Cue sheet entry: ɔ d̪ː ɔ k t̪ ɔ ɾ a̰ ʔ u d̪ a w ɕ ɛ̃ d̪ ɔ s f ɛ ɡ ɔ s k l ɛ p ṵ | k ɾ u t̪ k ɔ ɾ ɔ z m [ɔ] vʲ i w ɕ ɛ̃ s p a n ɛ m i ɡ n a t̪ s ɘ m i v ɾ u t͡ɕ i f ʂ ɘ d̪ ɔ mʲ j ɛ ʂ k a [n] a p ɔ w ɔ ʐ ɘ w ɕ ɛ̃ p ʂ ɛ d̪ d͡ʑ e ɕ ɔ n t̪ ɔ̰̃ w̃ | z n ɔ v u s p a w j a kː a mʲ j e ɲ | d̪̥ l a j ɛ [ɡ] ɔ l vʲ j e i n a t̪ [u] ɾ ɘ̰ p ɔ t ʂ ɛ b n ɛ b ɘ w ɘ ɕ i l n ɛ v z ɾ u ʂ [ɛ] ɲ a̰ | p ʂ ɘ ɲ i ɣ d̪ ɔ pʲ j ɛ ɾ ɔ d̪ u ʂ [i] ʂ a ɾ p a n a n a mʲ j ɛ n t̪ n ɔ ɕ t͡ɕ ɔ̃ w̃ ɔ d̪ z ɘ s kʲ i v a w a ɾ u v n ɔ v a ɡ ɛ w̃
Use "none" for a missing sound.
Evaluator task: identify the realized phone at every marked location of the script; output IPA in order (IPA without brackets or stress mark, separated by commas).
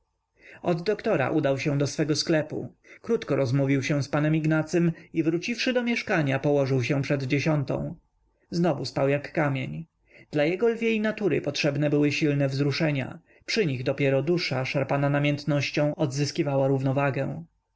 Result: u, ɲ, ɡ, u, ɛ, a